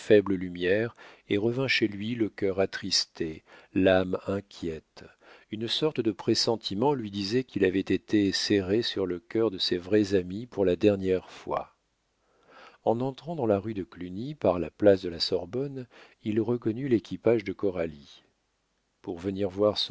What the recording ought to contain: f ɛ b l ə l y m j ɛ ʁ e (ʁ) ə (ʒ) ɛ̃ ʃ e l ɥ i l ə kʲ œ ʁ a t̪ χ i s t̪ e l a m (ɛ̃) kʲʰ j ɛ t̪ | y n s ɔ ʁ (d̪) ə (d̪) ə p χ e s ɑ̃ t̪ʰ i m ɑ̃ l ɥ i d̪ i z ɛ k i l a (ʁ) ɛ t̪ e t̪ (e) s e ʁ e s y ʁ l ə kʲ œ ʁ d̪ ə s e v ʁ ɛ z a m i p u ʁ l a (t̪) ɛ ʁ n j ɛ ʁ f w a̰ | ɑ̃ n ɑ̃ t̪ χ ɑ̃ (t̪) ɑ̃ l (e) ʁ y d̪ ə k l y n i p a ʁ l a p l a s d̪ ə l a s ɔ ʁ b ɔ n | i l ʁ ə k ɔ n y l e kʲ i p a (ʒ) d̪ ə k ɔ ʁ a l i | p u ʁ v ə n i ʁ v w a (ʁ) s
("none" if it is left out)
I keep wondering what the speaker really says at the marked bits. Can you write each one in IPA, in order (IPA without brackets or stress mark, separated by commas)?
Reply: ʁ, v, ɛ̃, t̪, d̪, v, e, d̪, d̪, a, ʒ, ʁ